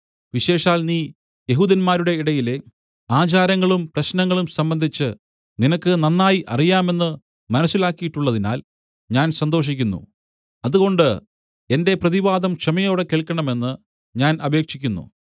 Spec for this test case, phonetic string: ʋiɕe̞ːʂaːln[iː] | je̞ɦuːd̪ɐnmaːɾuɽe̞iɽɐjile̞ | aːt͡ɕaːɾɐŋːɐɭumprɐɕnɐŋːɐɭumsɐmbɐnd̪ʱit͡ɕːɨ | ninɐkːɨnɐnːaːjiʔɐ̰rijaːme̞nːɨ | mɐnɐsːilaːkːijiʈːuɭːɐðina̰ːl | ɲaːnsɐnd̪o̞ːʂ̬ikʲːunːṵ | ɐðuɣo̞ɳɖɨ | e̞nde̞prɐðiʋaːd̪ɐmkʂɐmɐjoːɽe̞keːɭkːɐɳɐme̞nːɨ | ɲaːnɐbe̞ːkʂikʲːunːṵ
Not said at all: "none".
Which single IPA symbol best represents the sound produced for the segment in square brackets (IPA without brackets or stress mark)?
iː